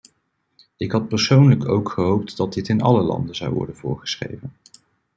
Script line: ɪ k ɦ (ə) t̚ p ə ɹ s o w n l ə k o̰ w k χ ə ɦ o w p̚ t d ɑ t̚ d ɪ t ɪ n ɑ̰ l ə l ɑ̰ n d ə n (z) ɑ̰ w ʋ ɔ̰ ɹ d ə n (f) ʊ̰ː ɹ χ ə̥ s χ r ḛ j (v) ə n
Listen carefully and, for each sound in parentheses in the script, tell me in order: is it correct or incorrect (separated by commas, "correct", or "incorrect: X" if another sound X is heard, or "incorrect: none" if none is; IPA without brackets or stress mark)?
incorrect: ɑ, correct, incorrect: v, correct